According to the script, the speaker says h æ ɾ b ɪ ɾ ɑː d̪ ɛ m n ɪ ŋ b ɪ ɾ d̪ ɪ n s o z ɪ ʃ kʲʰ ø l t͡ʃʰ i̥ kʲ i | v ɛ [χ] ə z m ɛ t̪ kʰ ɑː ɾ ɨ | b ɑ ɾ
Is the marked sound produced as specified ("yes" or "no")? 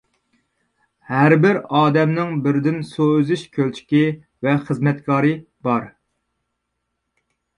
yes